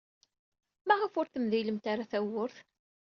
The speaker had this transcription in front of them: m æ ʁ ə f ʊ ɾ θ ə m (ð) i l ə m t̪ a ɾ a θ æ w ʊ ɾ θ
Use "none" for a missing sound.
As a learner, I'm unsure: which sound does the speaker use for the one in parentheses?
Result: ð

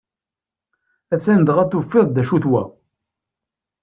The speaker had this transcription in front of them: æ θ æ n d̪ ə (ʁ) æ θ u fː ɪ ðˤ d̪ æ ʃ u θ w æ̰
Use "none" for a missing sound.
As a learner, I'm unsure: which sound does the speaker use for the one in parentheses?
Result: ʁ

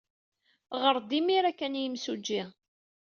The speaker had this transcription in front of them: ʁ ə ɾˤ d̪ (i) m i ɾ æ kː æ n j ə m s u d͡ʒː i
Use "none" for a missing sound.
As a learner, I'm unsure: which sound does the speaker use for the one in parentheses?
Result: i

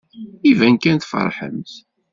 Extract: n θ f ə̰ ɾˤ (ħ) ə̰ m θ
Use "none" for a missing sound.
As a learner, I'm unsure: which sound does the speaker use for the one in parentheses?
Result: ħ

